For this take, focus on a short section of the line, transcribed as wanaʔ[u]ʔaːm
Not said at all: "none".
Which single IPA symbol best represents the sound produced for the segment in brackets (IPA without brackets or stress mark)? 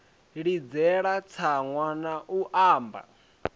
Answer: u